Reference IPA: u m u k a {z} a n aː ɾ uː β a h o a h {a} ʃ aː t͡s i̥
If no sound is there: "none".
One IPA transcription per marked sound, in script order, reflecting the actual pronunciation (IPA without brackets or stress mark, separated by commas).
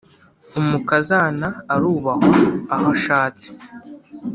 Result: z, a